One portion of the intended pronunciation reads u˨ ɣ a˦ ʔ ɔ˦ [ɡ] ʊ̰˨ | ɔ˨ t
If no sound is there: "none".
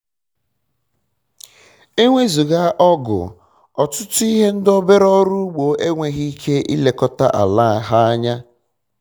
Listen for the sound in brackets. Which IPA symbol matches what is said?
ɡ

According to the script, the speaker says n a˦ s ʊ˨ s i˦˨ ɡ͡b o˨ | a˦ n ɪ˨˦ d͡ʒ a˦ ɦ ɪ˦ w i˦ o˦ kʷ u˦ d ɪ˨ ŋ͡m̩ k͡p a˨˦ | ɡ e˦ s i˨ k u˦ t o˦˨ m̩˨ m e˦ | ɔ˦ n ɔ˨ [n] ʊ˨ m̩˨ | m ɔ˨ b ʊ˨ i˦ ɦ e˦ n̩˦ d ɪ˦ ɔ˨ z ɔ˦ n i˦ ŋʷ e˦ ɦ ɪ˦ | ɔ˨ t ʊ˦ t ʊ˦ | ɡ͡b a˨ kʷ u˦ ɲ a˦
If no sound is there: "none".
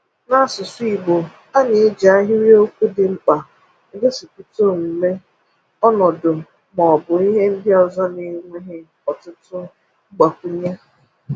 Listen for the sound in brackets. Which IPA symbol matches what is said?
d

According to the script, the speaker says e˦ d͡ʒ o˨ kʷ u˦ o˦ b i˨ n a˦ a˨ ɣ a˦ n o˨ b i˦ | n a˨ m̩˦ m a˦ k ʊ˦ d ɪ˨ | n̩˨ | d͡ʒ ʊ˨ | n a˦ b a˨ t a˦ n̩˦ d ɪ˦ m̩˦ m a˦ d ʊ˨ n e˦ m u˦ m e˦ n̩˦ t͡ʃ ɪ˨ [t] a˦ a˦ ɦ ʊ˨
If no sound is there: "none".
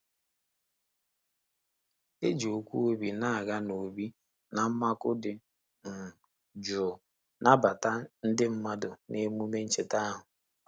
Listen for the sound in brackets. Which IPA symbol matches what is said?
t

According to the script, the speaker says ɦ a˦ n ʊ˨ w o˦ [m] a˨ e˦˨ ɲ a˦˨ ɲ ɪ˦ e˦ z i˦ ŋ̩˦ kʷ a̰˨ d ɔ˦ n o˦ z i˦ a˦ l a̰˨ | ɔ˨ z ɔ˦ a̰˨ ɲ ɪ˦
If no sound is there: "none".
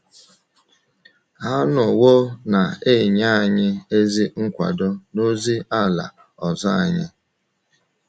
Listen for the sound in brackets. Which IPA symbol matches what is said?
n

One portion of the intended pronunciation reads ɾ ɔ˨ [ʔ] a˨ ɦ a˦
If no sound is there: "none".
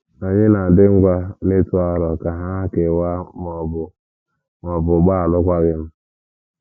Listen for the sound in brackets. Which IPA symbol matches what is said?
k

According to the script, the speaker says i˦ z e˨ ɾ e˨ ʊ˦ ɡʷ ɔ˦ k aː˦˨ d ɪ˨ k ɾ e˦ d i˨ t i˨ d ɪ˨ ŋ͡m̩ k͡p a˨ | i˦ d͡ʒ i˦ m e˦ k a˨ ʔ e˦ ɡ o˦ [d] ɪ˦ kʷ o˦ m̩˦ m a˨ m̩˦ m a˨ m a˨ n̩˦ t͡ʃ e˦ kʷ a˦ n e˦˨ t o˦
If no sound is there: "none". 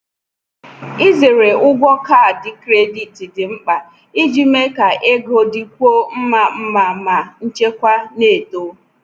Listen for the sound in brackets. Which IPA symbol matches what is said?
d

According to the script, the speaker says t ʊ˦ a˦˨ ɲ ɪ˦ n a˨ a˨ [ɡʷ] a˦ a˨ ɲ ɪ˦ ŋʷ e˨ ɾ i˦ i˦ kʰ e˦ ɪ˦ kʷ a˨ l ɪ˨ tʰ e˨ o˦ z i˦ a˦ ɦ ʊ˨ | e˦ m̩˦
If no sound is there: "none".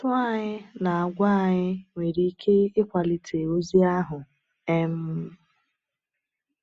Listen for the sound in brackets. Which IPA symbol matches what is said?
ɡʷ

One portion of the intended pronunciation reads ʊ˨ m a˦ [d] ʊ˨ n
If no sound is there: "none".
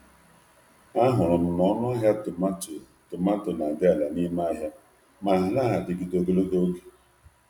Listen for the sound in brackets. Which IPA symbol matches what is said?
t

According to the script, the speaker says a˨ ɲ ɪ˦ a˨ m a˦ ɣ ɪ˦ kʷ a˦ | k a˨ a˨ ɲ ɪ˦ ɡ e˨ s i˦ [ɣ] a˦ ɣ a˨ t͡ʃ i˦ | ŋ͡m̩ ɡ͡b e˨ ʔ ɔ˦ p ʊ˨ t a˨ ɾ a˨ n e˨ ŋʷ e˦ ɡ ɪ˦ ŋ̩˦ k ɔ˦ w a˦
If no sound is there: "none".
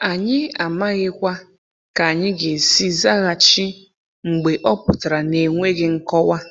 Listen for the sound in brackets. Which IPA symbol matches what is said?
z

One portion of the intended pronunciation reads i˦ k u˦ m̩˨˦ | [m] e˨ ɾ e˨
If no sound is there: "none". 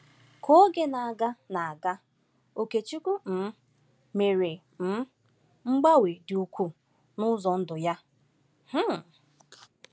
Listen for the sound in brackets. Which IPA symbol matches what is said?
m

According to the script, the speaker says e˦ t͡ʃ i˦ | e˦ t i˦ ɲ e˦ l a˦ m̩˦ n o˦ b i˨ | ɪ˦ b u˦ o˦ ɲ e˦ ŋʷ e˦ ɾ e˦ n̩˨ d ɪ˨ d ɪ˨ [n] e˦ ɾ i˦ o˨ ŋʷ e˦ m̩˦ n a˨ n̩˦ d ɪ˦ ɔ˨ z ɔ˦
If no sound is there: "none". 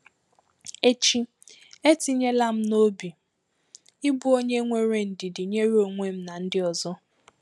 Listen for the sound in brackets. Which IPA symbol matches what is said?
ɲ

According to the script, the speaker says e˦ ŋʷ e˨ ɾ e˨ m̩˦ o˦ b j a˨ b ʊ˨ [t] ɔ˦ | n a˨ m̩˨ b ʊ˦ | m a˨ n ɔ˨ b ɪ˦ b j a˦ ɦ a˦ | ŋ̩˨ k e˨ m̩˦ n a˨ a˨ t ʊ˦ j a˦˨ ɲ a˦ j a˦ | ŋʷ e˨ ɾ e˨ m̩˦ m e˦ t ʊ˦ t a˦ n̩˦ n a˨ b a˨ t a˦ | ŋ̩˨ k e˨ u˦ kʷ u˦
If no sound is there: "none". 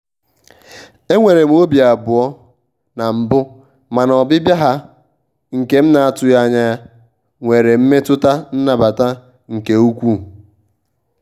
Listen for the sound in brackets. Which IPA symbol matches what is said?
none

